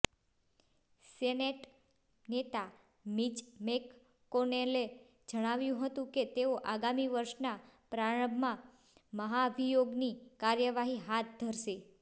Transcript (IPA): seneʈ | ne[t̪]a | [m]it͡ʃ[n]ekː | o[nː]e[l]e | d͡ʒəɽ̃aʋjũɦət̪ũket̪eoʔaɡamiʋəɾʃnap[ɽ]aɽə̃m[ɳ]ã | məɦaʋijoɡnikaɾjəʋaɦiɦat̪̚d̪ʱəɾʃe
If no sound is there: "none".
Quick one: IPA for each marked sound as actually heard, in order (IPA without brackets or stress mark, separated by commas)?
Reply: t̪, m, m, n, l, ɾ, m